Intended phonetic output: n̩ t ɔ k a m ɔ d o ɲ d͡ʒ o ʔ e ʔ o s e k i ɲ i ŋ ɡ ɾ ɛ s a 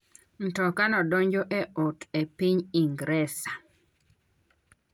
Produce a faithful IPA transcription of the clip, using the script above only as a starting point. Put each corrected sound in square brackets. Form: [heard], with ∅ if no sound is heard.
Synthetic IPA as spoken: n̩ t ɔ k a [n] ɔ d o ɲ d͡ʒ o ʔ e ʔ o [t] e [p] i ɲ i ŋ ɡ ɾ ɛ s a